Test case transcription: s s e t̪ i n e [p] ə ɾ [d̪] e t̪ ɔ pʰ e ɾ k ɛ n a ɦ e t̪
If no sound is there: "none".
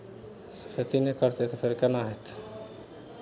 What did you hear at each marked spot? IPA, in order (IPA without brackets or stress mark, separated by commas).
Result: k, t̪